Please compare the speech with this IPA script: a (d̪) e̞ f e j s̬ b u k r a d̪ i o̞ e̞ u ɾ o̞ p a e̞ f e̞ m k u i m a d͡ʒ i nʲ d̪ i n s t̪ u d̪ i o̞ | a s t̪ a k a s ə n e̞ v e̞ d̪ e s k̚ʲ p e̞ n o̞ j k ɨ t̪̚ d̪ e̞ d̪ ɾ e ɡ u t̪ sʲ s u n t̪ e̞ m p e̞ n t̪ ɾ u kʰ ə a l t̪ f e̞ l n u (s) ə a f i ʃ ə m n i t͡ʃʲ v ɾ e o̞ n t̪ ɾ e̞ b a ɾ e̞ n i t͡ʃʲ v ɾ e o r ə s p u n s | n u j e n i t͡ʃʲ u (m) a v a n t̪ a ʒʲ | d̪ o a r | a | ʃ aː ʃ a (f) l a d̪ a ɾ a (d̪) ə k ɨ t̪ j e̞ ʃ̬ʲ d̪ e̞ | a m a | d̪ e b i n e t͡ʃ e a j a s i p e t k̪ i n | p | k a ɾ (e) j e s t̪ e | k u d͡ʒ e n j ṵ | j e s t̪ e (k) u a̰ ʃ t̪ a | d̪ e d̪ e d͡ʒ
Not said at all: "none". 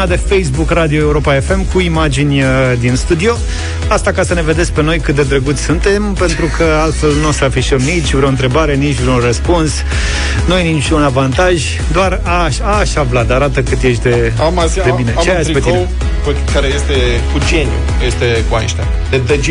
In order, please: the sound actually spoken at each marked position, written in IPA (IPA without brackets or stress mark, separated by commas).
d̪, s, n, v, t̪, e, k